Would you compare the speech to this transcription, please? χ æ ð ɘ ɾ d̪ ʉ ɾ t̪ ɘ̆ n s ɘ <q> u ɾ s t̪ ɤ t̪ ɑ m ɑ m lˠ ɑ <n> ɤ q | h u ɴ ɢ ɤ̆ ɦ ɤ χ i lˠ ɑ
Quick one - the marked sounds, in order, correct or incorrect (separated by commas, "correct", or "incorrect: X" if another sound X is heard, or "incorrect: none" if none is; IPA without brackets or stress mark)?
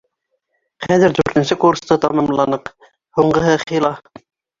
incorrect: k, correct